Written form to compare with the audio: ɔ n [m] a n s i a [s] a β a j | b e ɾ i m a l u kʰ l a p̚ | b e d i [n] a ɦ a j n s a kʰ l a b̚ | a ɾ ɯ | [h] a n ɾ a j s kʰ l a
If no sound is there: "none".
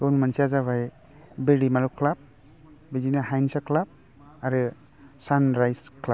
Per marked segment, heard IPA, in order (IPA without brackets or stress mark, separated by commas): m, z, n, s